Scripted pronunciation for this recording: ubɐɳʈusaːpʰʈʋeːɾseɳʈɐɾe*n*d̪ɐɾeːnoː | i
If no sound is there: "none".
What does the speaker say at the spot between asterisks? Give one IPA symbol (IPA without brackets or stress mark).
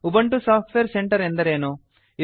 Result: n